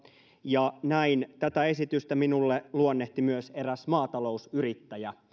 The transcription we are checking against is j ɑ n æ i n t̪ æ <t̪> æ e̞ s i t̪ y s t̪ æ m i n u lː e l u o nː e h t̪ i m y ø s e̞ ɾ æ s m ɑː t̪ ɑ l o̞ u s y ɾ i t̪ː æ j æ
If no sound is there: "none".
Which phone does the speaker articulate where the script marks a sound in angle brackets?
t̪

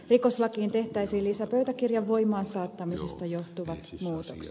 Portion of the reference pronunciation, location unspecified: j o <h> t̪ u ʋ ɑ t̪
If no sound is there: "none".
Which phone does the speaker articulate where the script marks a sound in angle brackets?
h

